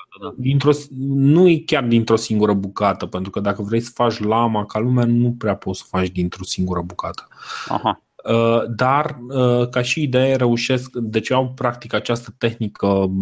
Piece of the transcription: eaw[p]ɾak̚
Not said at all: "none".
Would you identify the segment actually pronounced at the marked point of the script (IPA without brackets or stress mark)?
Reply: p